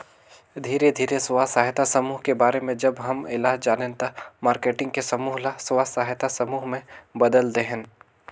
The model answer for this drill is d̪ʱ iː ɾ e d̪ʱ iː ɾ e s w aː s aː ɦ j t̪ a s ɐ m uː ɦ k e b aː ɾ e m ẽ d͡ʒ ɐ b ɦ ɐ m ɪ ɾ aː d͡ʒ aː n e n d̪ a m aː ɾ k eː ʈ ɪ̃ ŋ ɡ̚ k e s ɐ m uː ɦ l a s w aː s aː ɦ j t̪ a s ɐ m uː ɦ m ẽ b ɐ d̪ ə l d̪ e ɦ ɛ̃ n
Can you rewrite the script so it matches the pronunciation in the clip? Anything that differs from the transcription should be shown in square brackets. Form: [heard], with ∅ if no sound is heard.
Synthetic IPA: d̪ʱ iː ɾ e d̪ʱ iː ɾ e s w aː s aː ɦ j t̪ a s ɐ m uː ɦ k e b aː ɾ e m ẽ d͡ʒ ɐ b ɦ ɐ m ɪ [l] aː d͡ʒ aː n e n [t̪] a m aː ɾ k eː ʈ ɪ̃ ŋ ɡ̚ k e s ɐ m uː ɦ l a s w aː s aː ɦ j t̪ a s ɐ m uː ɦ m ẽ b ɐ d̪ ə l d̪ e ɦ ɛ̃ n

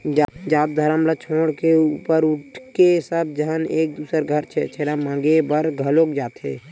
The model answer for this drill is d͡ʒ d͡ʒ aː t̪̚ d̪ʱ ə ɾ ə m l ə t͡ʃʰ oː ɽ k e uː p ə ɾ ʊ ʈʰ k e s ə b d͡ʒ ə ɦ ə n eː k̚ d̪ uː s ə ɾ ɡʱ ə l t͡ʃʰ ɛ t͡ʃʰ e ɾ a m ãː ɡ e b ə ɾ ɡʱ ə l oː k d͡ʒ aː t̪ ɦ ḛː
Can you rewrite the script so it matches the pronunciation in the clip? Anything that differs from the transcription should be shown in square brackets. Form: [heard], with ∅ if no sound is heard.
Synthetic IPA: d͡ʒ d͡ʒ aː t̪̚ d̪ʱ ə ɾ ə m l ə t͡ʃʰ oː ɽ k e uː p ə ɾ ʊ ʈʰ k e s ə b d͡ʒ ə ɦ ə n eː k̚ d̪ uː s ə ɾ ɡʱ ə [ɾ] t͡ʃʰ ɛ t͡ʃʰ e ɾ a m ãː ɡ e b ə ɾ ɡʱ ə l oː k d͡ʒ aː t̪ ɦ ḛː

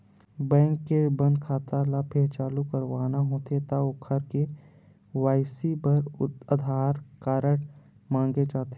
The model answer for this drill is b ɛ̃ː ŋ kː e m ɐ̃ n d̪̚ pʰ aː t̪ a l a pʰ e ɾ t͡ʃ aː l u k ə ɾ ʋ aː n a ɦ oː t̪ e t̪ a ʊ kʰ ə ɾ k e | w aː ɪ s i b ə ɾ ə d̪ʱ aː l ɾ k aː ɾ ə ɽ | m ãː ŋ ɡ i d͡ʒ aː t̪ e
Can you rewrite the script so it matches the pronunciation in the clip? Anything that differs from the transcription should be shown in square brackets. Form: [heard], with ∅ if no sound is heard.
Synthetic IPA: b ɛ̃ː ŋ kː e [b] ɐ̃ n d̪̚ [kʰ] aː t̪ a l a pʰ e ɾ t͡ʃ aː l u k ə ɾ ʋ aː n a ɦ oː t̪ e t̪ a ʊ kʰ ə ɾ k e | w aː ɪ s i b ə ɾ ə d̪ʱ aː [∅] ɾ k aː ɾ ə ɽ | m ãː ŋ ɡ [e] d͡ʒ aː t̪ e

